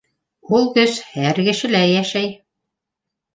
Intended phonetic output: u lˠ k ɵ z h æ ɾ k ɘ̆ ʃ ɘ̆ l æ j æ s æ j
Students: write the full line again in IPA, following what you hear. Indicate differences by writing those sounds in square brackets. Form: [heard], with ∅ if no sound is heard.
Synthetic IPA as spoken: u lˠ k ɵ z h æ ɾ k ɘ̆ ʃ ɘ̆ l æ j æ [ʃ] æ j